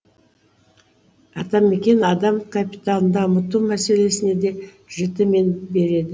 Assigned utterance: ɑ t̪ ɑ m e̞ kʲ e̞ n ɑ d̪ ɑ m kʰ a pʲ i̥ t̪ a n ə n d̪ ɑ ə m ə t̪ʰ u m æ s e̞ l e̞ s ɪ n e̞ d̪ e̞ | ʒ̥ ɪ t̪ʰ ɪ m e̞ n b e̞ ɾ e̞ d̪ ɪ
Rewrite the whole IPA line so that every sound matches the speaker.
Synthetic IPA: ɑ t̪ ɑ m e̞ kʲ e̞ n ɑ d̪ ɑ m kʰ a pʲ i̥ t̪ a n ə n d̪ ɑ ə m ə t̪ u m æ s e̞ l e̞ s ɪ n e̞ d̪ e̞ | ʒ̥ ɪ t̪ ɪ m e̞ n b e̞ ɾ e̞ d̪ ɪ